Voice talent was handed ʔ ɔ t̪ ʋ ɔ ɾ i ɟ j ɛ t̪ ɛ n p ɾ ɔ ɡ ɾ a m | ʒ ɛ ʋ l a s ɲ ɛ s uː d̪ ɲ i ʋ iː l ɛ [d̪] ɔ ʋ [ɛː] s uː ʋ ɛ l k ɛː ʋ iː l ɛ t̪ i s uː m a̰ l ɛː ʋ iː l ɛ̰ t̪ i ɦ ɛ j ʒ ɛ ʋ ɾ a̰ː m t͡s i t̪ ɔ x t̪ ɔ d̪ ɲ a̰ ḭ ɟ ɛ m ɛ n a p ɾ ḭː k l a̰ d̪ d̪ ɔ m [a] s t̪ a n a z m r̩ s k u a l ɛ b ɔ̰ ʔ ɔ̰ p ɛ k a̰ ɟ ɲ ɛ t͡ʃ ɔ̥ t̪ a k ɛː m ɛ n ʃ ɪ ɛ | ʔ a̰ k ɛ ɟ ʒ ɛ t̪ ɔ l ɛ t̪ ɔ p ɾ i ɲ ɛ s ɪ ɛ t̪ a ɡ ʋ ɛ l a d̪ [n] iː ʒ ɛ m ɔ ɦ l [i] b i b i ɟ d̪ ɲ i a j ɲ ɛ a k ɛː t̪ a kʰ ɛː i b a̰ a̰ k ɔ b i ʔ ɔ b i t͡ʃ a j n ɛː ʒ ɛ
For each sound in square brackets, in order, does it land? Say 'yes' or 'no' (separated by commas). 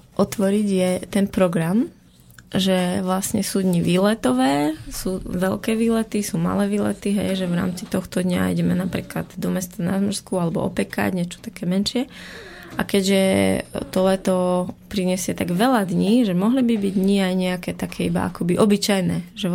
no, yes, no, no, yes